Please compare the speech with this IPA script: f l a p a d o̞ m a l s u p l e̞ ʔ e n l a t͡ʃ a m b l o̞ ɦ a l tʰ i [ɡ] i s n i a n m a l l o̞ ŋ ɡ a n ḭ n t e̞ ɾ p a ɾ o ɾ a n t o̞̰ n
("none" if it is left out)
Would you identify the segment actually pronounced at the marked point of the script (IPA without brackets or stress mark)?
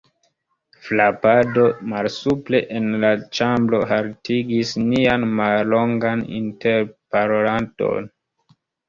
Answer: ɡ